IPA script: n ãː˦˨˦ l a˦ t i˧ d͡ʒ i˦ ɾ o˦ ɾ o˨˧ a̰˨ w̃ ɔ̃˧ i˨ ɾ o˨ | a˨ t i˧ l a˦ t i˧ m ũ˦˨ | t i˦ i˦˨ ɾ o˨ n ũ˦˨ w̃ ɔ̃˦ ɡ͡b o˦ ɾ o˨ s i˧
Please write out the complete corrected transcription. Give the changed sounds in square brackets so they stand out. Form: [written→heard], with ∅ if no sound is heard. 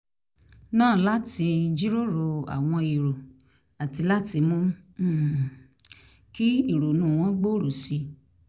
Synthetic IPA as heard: n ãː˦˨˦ l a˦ t i˧ d͡ʒ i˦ ɾ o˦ ɾ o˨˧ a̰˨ w̃ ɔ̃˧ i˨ ɾ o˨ | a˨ t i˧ l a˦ t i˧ m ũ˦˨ | [t→k] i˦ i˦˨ ɾ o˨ n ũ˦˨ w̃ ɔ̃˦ ɡ͡b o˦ ɾ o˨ s i˧

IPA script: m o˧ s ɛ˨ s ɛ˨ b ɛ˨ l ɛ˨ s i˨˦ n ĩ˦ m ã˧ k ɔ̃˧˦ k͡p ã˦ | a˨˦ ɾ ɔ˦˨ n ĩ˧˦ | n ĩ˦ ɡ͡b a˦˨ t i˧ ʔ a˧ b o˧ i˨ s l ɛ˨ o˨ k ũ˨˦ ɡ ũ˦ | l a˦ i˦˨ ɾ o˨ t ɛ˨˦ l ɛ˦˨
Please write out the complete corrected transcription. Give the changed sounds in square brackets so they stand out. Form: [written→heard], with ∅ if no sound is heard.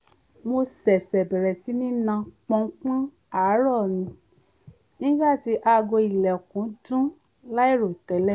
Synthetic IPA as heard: m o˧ s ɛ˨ s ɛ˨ b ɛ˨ [l→ɾ] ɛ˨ s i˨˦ n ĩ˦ [m→n] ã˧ [k→k͡p] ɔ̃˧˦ k͡p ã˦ | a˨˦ ɾ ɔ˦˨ n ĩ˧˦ | n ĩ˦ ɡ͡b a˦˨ t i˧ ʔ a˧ [b→ɡ] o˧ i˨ [s→∅] l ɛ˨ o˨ k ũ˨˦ [ɡ→d] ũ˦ | l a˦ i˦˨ ɾ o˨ t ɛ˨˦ l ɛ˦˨

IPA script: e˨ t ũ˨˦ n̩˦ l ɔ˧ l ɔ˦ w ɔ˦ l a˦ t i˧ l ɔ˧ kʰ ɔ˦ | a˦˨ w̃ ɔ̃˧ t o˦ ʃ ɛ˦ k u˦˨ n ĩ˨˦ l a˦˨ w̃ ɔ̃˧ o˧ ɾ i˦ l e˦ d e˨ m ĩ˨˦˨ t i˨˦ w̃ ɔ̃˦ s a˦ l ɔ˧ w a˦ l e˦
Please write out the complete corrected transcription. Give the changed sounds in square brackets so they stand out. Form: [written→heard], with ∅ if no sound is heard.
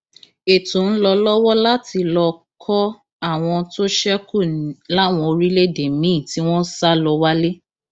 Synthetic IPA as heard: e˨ t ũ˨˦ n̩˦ l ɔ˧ l ɔ˦ w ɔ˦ l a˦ t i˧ l ɔ˧ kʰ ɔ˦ | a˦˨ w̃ ɔ̃˧ t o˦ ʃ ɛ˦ k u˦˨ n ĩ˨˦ l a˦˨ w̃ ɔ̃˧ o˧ ɾ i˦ l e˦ d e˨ m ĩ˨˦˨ t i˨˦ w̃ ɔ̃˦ s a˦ l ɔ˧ w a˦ l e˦

